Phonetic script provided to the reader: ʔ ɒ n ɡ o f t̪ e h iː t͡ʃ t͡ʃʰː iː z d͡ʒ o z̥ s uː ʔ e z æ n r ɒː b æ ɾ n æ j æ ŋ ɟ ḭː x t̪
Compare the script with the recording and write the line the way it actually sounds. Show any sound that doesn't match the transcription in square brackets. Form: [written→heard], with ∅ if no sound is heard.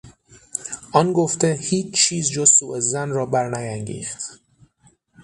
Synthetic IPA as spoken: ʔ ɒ n ɡ o f t̪ e h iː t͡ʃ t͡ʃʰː iː z d͡ʒ o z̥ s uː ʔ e z æ n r ɒː b æ ɾ n æ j æ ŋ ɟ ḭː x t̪